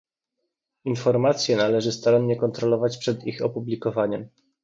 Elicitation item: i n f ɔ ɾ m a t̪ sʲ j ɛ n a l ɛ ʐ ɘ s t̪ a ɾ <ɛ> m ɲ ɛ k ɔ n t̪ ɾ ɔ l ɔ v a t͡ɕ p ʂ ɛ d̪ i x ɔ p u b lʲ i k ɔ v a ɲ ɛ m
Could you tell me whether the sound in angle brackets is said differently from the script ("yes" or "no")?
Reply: yes